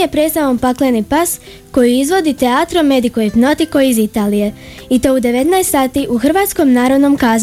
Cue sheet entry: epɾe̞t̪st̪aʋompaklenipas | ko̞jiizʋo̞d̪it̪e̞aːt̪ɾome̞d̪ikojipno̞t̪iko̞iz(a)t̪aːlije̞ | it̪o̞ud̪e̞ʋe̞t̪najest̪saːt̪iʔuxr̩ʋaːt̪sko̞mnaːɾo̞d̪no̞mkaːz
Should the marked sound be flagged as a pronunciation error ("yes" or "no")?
yes